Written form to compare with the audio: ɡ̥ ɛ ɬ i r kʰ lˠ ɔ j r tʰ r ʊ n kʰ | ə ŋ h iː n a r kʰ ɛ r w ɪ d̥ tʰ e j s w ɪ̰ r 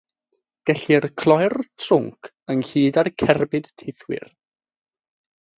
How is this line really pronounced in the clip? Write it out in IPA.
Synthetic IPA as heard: ɡ̥ ɛ ɬ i r kʰ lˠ ɔ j r tʰ r ʊ ŋ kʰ | ə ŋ h iː d a r kʰ ɛ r b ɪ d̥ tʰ e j θ w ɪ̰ r